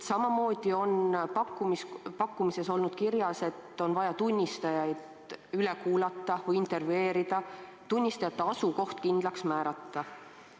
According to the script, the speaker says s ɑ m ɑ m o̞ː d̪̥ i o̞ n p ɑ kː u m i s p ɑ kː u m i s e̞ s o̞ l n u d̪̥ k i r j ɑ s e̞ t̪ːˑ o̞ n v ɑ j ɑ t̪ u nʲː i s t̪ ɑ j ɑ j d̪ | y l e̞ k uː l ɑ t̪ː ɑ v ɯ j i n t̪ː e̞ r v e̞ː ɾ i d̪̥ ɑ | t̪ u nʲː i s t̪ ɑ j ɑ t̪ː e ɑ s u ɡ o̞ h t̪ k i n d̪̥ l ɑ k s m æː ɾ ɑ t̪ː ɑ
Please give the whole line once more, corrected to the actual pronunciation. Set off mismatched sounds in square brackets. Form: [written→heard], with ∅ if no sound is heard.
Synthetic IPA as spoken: s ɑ m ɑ m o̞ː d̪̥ i o̞ n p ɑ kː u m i s p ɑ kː u m i s e̞ s o̞ l n u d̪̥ k i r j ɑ s e̞ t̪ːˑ o̞ n v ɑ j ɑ t̪ u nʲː i s t̪ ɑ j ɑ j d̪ | y l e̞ k uː l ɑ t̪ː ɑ v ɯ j i n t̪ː e̞ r v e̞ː ɾ i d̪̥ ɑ | t̪ u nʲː i s t̪ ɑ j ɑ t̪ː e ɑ s u [ɡ→k] o̞ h t̪ k i n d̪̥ l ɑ k s m æː ɾ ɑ t̪ː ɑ

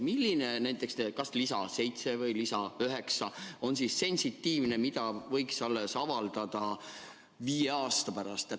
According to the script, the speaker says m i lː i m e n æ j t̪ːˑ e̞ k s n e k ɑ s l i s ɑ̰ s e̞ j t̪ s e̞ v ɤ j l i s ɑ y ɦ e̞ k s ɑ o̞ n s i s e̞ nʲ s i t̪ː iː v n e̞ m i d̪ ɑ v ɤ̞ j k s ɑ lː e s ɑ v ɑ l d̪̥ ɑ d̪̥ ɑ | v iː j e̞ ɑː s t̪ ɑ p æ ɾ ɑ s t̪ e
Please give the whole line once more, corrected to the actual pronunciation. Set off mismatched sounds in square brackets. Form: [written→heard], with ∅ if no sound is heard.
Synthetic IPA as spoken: m i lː i [m→n] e n æ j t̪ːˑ e̞ k s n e k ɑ s l i s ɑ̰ s e̞ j t̪ s e̞ v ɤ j l i s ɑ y ɦ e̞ k s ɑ o̞ n s i s e̞ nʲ s i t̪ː iː v n e̞ m i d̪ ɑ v ɤ̞ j k s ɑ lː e s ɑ v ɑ l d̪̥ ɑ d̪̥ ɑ | v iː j e̞ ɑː s t̪ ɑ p æ ɾ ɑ s t̪ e

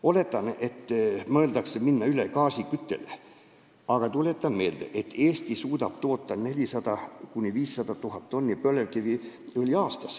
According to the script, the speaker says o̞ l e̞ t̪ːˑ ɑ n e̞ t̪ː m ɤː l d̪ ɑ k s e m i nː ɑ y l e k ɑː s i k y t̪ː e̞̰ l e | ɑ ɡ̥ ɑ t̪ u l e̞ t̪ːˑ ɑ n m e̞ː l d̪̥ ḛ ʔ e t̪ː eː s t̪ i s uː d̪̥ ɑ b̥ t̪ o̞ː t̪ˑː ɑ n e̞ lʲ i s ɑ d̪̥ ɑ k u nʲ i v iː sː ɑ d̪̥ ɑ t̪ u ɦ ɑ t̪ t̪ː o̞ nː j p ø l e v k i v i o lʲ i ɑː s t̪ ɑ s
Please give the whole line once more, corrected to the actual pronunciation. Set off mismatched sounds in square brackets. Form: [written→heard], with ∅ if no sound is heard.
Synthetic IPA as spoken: o̞ l e̞ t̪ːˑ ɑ n e̞ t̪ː m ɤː l d̪ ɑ k s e m i nː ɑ y l e k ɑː s i k y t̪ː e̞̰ l e | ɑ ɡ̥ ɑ t̪ u l e̞ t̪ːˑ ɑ n m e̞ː l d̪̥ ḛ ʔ e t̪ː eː s t̪ i s uː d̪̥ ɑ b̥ t̪ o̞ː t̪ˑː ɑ n e̞ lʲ i s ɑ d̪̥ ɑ k u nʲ i v iː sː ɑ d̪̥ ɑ t̪ u ɦ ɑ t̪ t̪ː o̞ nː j p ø l e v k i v i o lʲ i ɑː s t̪ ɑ s

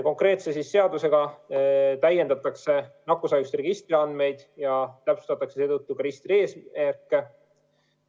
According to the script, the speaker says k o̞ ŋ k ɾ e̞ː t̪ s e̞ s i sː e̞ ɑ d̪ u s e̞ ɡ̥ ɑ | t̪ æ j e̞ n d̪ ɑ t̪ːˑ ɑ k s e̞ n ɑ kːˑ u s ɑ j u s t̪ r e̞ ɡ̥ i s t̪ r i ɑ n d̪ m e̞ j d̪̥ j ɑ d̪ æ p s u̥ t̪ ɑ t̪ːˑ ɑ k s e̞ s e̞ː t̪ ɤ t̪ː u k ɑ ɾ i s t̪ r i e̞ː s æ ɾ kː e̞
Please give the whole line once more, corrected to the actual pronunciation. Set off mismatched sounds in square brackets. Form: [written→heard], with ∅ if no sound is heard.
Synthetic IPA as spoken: k o̞ ŋ k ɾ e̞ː t̪ s e̞ s i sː e̞ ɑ d̪ u s e̞ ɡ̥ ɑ | t̪ æ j e̞ n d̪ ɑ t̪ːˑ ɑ k s e̞ n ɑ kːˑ u s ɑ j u s t̪ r e̞ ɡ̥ i s t̪ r i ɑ n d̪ m e̞ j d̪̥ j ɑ [d̪→t̪] æ p s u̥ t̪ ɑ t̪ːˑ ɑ k s e̞ s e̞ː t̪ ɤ t̪ː u k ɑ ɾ i s t̪ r i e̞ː s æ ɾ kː e̞

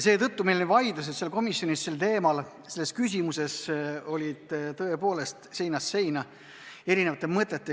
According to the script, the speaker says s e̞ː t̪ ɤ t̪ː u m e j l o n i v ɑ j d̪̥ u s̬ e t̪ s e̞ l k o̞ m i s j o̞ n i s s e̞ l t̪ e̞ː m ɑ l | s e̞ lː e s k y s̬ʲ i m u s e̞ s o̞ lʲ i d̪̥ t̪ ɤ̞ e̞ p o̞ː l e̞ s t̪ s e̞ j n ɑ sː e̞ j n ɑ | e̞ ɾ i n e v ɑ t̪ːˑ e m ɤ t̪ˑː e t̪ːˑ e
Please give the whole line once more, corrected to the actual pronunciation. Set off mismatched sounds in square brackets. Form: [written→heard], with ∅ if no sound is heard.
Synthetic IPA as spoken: s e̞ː t̪ ɤ t̪ː u m e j l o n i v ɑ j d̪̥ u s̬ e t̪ s e̞ l k o̞ m i s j o̞ n i s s e̞ l t̪ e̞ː m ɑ l | s e̞ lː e s k y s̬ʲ i m u s e̞ s o̞ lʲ i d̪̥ t̪ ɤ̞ e̞ p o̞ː l e̞ s t̪ s e̞ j n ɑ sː e̞ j n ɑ | e̞ ɾ i n e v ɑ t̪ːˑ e m ɤ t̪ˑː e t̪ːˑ e

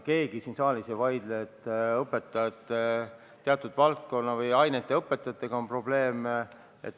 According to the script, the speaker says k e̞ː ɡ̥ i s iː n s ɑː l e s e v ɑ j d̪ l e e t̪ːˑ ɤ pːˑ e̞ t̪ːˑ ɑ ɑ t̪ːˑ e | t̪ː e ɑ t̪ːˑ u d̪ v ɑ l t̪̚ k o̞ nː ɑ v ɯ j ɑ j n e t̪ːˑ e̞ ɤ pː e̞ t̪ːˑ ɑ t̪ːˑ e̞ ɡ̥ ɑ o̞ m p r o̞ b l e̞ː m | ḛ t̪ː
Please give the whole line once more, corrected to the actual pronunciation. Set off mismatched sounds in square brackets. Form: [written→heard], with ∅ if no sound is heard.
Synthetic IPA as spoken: k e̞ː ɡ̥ i s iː n s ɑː l [e→i] s e v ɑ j d̪ l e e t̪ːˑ ɤ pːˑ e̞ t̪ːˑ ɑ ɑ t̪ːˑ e | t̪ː e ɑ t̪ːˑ u d̪ v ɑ l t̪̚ k o̞ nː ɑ v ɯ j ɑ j n e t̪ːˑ e̞ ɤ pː e̞ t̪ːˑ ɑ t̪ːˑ e̞ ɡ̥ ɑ o̞ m p r o̞ b l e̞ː m | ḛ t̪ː

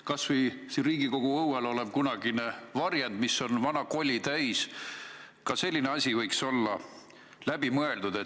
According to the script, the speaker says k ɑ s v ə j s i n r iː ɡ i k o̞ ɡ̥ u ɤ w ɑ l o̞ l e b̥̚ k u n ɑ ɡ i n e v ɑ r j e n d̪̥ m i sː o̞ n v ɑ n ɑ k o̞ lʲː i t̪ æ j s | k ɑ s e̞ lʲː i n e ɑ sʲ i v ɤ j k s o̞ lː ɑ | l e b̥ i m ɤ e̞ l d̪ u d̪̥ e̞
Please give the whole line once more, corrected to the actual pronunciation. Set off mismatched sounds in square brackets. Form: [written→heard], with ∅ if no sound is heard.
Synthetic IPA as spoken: k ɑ s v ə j s i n r iː ɡ i k o̞ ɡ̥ u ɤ w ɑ l o̞ l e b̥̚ k u n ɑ ɡ i n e v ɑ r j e n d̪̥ m i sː o̞ n v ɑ n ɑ k o̞ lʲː i t̪ æ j s | k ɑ s e̞ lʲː i n e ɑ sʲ i v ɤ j k s o̞ lː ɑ | l [e→æ] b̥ i m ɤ e̞ l d̪ u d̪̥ e̞

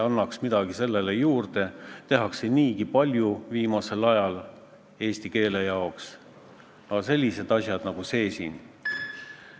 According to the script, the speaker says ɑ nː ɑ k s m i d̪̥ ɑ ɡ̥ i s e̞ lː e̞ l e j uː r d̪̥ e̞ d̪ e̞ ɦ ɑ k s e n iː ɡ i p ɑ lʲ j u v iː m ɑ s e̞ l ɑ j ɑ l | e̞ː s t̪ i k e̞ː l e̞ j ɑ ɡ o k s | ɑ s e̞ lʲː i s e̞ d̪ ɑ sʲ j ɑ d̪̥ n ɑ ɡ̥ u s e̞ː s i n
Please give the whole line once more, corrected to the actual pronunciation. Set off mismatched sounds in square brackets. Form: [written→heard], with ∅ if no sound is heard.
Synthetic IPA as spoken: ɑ nː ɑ k s m i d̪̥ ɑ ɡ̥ i s e̞ lː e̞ l e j uː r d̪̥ e̞ [d̪→t̪] e̞ ɦ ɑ k s e n iː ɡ i p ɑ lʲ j u v iː m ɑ s e̞ l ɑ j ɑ l | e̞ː s t̪ i k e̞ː l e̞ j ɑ [ɡ→∅] o k s | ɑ s e̞ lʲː i s e̞ d̪ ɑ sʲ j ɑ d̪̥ n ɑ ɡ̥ u s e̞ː s i n

